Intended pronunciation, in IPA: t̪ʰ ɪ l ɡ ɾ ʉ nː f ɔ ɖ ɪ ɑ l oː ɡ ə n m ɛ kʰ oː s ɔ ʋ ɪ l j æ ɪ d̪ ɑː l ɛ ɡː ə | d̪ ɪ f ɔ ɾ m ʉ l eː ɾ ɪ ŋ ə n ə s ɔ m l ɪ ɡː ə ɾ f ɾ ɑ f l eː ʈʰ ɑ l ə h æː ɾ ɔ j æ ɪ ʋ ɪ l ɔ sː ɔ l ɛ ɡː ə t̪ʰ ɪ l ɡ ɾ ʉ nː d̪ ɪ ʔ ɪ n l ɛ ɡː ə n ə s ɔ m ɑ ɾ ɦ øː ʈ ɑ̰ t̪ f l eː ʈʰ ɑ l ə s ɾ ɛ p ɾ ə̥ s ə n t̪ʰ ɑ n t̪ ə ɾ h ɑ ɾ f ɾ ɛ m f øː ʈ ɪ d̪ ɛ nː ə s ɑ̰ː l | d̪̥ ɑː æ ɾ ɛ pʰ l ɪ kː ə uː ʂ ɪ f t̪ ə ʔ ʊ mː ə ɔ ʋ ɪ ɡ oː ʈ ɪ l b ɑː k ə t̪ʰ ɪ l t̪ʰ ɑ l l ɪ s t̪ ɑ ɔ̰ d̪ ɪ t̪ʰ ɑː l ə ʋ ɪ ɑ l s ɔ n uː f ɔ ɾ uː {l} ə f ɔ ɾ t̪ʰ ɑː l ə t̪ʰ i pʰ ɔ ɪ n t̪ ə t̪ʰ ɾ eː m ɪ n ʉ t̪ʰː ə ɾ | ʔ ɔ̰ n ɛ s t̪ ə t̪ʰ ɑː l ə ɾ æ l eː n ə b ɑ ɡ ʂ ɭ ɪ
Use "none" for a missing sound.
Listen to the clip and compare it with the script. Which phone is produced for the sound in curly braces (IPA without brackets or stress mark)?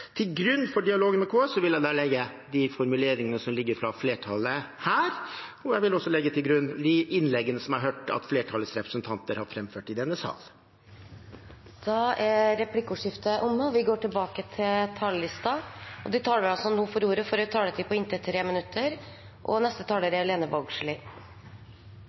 ɾ